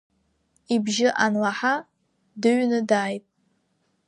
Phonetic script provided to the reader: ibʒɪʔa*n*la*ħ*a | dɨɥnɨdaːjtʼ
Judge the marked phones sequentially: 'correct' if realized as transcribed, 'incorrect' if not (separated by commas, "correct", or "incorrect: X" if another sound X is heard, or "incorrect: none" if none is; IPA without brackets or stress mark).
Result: correct, correct